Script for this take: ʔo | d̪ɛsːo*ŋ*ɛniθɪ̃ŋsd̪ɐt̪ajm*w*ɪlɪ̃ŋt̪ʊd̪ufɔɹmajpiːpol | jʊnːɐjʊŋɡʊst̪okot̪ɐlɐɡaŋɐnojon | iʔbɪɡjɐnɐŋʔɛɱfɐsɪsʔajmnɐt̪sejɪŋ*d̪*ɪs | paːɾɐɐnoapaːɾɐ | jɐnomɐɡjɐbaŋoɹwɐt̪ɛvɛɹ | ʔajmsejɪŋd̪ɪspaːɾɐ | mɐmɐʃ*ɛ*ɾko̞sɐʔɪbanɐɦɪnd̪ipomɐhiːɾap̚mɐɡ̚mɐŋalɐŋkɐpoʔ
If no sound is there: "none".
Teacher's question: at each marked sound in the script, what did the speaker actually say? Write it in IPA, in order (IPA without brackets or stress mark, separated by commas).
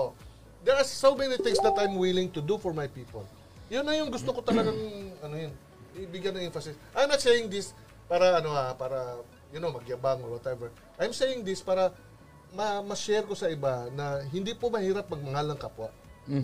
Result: m, w, d̪, ɛ